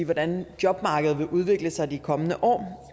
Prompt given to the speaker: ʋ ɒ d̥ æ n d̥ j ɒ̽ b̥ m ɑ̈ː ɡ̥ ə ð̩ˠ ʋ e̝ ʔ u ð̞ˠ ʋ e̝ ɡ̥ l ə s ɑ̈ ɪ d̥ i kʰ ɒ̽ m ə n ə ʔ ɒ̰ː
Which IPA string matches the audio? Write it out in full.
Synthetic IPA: ʋ ɒ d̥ æ n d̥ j ɒ̽ b̥ m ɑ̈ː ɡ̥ ə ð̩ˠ ʋ e̝ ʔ u ð̞ˠ ʋ e̝ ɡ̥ l ə s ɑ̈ ɪ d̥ i kʰ ɒ̽ m ə n ə ʔ ɒ̰ː

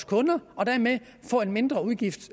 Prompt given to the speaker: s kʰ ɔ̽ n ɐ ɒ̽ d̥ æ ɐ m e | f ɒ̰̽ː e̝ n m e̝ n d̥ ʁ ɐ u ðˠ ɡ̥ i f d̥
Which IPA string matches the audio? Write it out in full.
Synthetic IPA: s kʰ ɔ̽ n ɐ ɒ̽ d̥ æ ɐ m e | f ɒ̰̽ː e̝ n m e̝ n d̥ ʁ ɐ u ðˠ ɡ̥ i f d̥

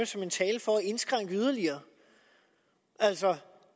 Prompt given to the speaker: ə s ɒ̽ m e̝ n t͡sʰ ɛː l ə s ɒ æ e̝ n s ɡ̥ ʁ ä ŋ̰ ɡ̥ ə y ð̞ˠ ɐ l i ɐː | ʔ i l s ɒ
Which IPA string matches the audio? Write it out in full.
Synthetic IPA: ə s ɒ̽ m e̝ n t͡sʰ ɛː l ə f ɒ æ e̝ n s ɡ̥ ʁ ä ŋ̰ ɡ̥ ə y ð̞ˠ ɐ l i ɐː | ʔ æ l s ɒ

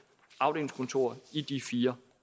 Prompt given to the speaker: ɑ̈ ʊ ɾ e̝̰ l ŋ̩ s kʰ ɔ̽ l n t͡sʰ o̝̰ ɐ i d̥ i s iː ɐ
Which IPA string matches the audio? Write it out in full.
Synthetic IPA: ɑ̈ ʊ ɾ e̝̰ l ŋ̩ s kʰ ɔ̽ n t͡sʰ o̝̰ ɐ i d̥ i f iː ɐ

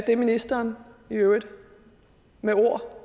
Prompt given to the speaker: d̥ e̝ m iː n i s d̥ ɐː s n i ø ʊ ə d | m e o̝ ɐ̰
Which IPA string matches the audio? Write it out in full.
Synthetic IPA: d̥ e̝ m i n i s d̥ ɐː n i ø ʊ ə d | m e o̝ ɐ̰

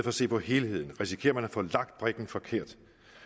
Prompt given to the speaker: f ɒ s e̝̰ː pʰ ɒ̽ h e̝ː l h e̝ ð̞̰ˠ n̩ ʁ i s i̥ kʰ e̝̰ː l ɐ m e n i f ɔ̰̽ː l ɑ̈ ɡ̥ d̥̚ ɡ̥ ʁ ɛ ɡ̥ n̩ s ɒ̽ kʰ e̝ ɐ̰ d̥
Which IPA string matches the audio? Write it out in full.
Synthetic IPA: f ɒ s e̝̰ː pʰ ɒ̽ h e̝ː l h e̝ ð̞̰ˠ n̩ ʁ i s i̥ kʰ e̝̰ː ɐ m æ n æ f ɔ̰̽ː l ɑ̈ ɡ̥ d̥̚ b̥ ʁ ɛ ɡ̥ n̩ f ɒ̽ kʰ e̝ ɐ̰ d̥

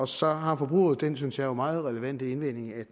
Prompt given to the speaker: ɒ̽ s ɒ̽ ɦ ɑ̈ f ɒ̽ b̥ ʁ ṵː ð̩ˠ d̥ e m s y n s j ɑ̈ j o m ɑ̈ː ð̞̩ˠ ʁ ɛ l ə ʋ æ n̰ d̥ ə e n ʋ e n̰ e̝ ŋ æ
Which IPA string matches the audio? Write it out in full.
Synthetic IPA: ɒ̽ s ɒ̽ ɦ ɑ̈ f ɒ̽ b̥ ʁ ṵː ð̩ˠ d̥ e n s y n s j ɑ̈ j o m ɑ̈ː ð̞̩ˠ ʁ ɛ l ə ʋ æ n̰ d̥ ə e n ʋ e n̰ e̝ ŋ æ

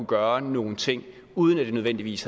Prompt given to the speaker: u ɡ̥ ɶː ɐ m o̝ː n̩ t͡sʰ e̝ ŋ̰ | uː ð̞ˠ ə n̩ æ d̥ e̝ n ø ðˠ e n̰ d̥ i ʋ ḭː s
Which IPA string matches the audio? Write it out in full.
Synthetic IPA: u ɡ̥ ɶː ɐ n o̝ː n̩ t͡sʰ e̝ ŋ̰ | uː ð̞ˠ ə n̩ æ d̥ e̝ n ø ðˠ e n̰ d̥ i ʋ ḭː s

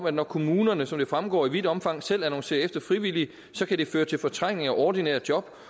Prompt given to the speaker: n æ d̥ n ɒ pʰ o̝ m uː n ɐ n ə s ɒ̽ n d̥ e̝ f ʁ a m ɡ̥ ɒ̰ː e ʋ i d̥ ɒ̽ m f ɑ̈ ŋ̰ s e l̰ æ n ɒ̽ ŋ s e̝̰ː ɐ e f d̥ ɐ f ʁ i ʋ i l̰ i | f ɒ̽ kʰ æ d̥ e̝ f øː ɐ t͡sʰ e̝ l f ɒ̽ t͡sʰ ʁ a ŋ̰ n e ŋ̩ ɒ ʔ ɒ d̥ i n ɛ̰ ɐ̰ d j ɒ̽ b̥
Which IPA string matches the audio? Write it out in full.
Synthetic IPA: m æ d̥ n ɒ kʰ o̝ m uː n ɐ n ə s ɒ̽ m d̥ e̝ f ʁ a m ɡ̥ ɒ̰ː i ʋ i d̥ ɒ̽ m f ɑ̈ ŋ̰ s e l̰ æ n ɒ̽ ŋ s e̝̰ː ɐ e f d̥ ɐ f ʁ i ʋ i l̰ i | s ɒ̽ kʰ æ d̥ e̝ f øː ɐ t͡sʰ e̝ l f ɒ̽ t͡sʰ ʁ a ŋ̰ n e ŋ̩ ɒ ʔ ɒ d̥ i n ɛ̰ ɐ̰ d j ɒ̽ b̥

